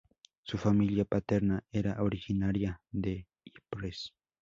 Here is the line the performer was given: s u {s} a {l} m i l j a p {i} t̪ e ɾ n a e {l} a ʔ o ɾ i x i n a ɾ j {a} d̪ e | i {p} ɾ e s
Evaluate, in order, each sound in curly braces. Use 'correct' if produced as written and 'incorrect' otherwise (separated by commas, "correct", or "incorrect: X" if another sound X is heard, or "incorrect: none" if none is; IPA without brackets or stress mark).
incorrect: f, incorrect: none, incorrect: a, incorrect: ɾ, correct, correct